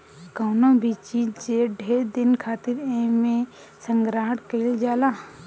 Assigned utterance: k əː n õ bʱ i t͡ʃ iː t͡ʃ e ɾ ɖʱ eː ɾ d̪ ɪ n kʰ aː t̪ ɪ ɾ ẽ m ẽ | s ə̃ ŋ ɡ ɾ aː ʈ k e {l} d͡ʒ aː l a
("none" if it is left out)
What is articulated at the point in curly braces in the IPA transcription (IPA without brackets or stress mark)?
l